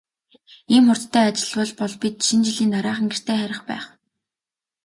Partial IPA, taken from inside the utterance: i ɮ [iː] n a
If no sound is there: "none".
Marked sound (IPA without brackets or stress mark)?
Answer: iː